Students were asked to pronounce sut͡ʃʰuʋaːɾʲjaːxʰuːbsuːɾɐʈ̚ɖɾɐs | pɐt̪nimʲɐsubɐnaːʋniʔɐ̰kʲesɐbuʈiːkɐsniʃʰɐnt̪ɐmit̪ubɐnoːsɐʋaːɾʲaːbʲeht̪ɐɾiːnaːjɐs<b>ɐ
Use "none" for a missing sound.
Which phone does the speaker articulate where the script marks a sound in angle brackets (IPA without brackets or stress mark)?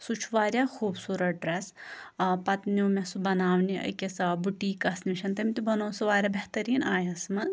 m